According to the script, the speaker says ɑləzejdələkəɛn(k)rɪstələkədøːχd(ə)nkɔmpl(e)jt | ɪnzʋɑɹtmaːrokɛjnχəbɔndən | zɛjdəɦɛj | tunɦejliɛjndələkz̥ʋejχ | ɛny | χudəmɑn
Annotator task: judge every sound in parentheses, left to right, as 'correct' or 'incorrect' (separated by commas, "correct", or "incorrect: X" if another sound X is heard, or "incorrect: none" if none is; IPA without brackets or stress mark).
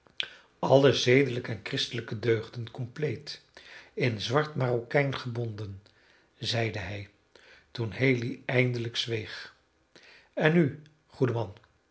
correct, correct, correct